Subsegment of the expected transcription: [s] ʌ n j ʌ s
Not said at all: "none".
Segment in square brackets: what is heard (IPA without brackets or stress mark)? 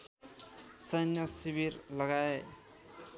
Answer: s